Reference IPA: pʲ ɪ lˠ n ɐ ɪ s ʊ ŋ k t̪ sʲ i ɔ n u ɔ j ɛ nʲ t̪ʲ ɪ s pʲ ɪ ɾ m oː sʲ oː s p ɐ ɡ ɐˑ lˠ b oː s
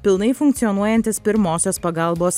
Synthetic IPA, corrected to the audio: pʲ ɪ lˠ n ɐ ɪ f ʊ ŋ k t̪ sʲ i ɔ n u ɔ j ɛ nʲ t̪ʲ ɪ s pʲ ɪ ɾ m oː sʲ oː s p ɐ ɡ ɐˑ lˠ b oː s